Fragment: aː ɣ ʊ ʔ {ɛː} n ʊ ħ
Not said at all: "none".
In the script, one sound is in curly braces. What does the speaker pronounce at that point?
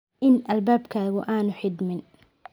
aː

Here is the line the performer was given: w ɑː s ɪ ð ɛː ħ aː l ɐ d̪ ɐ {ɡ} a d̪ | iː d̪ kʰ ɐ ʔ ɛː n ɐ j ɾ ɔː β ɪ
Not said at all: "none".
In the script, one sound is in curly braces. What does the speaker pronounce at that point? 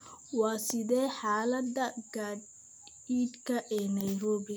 ɡ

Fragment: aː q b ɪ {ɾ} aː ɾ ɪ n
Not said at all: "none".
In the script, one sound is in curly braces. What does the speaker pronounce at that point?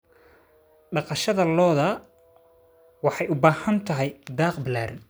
l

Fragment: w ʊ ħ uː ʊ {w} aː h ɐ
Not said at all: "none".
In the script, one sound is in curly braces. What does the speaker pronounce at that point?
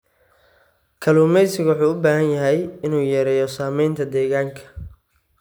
b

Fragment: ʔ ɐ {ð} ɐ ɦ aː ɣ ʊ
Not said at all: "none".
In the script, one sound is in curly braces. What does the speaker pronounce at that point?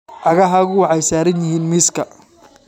ɣ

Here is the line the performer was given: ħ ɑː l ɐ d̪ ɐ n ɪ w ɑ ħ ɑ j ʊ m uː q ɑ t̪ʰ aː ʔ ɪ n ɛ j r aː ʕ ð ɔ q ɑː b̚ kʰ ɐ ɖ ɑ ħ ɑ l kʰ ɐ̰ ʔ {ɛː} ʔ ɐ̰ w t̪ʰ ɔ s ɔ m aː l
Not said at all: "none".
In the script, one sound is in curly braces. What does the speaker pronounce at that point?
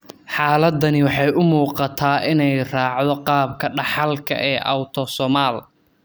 ɛː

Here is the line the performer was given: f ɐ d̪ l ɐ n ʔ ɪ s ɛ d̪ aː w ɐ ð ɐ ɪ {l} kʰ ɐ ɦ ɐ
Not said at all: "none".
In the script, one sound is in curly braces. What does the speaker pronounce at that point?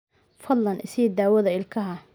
l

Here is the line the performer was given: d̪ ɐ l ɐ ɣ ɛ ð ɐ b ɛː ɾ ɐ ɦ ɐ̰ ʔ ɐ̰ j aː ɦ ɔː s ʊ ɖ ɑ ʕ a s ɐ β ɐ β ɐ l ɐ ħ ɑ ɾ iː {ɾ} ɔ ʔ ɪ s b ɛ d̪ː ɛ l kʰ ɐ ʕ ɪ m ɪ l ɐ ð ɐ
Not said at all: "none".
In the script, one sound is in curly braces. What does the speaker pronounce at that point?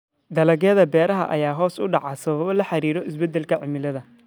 ɾ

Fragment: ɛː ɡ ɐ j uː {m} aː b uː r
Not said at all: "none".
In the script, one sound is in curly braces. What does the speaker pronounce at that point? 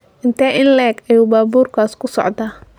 b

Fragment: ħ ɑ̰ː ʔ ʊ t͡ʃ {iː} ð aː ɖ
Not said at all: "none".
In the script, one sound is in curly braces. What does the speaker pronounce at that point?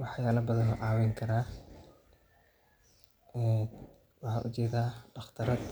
ɛː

